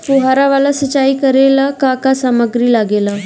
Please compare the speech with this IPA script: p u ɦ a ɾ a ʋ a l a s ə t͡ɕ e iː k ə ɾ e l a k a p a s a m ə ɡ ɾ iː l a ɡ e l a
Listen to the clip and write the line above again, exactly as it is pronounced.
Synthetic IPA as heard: p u ɦ a ɾ a ʋ a l a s ə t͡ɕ a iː k ə ɾ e l a k a k a s a m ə ɡ ɾ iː l a ɡ e l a